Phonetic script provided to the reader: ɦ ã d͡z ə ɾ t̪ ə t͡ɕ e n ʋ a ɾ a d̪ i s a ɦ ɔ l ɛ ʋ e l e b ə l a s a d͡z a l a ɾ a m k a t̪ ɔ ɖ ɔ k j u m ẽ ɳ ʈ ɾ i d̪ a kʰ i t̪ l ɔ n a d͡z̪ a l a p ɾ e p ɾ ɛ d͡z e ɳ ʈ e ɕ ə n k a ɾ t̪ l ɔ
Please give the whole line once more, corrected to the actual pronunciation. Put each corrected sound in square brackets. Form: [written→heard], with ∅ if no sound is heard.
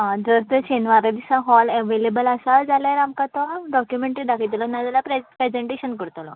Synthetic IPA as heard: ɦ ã d͡z ə ɾ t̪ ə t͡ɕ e n ʋ a ɾ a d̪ i s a ɦ ɔ l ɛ ʋ e l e b ə l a s a d͡z a l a ɾ a m k a t̪ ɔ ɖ ɔ k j u m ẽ ɳ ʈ ɾ i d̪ a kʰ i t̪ l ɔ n a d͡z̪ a l a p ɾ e p ɾ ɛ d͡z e ɳ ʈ e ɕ ə n k [a→ə] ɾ t̪ l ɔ